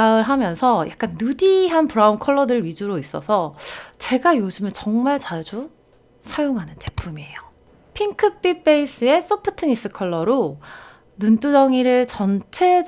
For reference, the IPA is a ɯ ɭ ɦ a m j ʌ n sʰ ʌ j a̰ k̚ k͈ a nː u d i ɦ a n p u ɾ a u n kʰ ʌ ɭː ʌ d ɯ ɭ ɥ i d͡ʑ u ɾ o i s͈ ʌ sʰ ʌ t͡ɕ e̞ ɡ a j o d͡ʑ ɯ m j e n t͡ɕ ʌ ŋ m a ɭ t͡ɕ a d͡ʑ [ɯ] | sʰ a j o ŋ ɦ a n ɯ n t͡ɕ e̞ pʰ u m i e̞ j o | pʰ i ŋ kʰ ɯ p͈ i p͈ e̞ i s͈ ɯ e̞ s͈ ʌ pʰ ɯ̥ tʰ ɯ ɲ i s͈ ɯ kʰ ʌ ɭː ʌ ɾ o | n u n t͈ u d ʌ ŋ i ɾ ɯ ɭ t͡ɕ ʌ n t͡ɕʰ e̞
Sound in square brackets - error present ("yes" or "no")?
yes